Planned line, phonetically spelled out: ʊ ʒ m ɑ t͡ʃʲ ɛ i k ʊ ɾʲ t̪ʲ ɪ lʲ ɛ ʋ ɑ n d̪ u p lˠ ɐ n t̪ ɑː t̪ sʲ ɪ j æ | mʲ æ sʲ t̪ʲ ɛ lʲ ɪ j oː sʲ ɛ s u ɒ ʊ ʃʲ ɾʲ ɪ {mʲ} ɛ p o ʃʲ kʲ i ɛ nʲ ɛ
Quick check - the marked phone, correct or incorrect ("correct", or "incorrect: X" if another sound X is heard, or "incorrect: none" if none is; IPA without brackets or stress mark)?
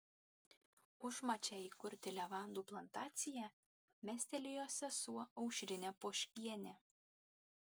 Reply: incorrect: nʲ